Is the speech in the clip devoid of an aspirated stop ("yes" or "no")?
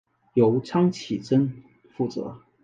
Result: no